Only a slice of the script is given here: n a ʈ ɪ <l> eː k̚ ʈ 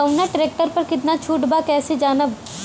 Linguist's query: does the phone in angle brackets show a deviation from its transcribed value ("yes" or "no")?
yes